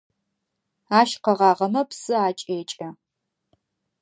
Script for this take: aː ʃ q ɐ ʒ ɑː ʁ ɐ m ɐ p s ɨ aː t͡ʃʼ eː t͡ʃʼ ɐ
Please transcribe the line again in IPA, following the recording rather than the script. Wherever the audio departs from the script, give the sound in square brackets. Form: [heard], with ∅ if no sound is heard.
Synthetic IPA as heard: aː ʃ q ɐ [ʁ] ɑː ʁ ɐ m ɐ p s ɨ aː t͡ʃʼ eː t͡ʃʼ ɐ